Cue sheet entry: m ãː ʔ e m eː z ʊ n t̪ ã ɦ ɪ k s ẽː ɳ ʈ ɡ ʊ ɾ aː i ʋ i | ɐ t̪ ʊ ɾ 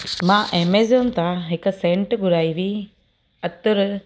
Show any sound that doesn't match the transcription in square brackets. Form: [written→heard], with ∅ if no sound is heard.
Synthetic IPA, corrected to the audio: m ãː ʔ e m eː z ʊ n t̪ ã ɦ ɪ k s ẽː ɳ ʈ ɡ ʊ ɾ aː i ʋ i | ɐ t̪ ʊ ɾ